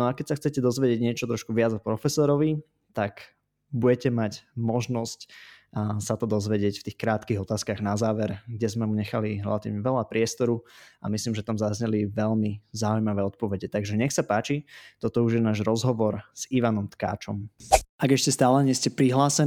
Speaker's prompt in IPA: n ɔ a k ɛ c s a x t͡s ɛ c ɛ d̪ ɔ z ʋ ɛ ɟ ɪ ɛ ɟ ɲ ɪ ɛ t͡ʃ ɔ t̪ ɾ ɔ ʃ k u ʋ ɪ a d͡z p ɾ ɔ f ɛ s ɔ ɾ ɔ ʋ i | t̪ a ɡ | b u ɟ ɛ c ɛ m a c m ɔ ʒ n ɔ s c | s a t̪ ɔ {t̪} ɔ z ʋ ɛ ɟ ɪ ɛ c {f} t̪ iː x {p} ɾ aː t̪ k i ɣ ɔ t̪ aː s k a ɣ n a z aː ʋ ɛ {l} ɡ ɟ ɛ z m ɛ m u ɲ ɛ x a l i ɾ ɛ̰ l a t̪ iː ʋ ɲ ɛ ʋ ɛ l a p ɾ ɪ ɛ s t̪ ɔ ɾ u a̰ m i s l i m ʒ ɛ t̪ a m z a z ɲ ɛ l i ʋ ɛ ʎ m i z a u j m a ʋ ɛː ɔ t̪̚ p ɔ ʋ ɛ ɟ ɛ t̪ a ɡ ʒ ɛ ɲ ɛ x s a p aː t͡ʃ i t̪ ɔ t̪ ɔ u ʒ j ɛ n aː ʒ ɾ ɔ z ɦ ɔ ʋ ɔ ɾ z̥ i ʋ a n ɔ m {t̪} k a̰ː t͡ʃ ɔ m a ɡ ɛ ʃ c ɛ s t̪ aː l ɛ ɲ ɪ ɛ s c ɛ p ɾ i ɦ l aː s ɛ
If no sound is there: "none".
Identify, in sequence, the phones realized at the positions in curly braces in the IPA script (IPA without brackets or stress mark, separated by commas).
d̪, f, k, ɾ, t̪